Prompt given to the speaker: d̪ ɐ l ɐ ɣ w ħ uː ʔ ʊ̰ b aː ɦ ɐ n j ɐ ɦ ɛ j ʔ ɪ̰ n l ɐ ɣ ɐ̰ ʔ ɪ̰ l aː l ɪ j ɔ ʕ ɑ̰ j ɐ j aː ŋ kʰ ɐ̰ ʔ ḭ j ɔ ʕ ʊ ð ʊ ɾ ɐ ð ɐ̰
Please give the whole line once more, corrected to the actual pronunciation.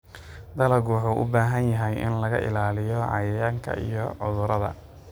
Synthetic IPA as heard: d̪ ɐ l ɐ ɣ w ħ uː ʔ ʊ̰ b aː ɦ ɐ n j ɐ ɦ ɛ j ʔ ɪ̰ n l ɐ ɣ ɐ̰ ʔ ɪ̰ l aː l ɪ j ɔ ʕ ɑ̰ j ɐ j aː ŋ kʰ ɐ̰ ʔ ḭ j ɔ ʕ ʊ ð ʊ ɾ ɐ ð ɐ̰